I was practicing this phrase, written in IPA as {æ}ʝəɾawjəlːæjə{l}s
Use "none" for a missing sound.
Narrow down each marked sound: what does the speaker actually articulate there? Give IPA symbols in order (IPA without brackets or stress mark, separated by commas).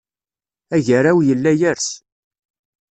æ, ɾ